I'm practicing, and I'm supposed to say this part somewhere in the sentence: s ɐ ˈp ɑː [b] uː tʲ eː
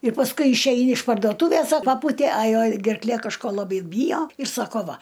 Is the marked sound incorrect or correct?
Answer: incorrect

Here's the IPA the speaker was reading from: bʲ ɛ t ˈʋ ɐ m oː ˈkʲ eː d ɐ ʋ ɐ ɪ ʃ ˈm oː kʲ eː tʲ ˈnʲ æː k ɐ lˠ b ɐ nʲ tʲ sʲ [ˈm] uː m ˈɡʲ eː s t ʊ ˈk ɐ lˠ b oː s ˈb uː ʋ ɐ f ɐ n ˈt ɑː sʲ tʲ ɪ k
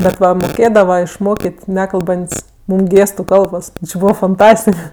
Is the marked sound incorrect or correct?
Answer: correct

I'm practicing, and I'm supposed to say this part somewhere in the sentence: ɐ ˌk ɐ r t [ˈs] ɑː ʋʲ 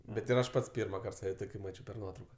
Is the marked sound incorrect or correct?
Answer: correct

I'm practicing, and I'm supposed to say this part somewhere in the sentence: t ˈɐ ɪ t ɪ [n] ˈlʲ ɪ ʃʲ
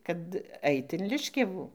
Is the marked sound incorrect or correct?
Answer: correct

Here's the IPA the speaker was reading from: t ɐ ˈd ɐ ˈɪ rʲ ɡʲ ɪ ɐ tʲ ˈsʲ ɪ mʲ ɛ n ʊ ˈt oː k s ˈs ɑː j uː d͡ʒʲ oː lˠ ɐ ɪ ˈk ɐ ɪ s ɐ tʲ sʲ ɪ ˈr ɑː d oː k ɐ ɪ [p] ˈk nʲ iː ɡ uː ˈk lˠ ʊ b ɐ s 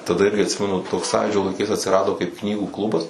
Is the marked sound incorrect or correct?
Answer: correct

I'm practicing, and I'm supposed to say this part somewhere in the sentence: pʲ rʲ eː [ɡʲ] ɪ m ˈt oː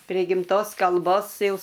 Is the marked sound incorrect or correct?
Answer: correct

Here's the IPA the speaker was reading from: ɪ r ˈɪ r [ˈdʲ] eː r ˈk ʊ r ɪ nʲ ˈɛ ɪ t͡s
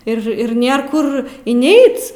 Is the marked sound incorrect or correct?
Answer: incorrect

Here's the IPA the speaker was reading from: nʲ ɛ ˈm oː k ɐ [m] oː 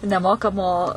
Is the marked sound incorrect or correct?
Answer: correct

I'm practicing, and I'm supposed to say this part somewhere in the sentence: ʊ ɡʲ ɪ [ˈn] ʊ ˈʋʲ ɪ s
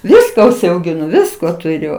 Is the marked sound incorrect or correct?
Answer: correct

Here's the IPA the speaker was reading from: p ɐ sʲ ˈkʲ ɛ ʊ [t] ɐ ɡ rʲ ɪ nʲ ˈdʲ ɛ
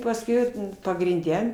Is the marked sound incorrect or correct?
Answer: incorrect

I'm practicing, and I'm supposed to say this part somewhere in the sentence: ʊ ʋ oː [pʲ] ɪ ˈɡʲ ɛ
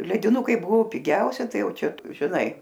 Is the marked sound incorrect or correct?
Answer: correct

